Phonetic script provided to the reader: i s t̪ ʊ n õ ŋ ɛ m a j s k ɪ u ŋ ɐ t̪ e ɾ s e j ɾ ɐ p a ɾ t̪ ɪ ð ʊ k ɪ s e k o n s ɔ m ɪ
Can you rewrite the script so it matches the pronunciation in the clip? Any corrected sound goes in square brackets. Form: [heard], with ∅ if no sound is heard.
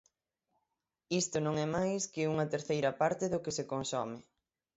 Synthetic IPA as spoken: i s t̪ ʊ n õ ŋ ɛ m a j s k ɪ u ŋ ɐ t̪ e ɾ [θ] e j ɾ ɐ p a ɾ t̪ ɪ ð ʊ k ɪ s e k o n s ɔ m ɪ